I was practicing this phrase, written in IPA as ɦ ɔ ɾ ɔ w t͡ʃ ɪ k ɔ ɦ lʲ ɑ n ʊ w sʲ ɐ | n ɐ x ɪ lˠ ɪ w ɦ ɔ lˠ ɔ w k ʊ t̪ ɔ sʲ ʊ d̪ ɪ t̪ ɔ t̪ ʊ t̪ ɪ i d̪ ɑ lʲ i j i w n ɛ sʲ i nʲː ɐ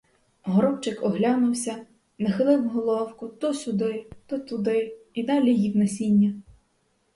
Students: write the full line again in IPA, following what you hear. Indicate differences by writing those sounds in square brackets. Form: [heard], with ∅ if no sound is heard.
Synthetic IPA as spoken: ɦ ɔ ɾ ɔ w t͡ʃ ɪ k ɔ ɦ lʲ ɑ n ʊ w sʲ ɐ | n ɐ x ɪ lˠ ɪ w ɦ ɔ lˠ ɔ w k ʊ t̪ ɔ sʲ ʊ d̪ ɪ t̪ ɔ t̪ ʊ [d̪] ɪ i d̪ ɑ lʲ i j i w n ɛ sʲ i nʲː ɐ